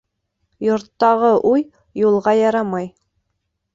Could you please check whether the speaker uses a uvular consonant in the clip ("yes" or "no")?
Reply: yes